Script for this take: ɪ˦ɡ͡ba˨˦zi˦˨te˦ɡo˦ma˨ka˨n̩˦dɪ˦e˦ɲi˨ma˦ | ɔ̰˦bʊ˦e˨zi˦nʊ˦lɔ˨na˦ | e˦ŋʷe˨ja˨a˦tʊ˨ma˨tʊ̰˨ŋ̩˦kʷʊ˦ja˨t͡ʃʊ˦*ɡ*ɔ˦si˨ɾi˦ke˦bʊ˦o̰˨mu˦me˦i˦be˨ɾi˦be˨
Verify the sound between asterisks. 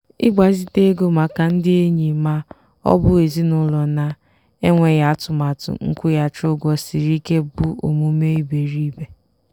correct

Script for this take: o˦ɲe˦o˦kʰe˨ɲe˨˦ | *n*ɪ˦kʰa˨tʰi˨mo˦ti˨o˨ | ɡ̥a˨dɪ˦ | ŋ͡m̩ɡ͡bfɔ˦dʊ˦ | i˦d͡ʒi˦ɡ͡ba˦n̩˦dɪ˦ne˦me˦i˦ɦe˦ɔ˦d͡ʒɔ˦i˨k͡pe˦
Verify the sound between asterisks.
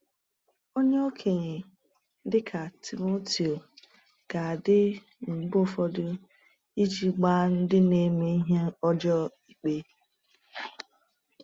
incorrect: d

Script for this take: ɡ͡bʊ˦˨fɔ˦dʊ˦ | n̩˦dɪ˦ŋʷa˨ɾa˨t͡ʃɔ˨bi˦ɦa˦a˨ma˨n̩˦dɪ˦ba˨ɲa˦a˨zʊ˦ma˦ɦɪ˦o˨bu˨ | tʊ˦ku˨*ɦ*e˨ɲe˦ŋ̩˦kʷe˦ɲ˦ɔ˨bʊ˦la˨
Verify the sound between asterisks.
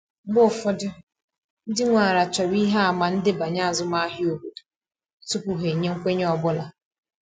correct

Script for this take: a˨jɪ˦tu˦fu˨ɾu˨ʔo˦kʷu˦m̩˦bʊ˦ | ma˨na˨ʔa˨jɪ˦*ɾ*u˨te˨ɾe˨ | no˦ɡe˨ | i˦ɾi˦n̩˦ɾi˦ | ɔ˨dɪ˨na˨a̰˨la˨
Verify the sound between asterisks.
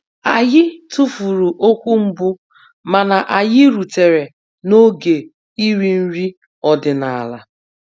correct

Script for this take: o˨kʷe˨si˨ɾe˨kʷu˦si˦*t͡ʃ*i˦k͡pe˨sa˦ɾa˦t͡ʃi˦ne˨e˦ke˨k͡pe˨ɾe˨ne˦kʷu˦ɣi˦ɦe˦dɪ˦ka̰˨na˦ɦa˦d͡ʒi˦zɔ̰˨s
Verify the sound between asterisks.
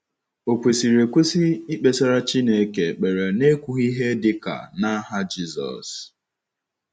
incorrect: none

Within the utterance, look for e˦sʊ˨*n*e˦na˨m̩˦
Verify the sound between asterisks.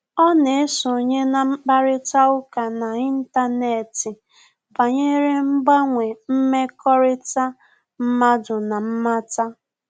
incorrect: ɲ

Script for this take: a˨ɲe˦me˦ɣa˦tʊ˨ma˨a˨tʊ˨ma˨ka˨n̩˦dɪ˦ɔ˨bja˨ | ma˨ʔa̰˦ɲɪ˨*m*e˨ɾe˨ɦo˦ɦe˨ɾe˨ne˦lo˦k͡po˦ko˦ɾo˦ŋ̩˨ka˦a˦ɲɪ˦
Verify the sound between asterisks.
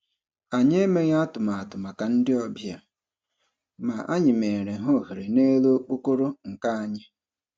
correct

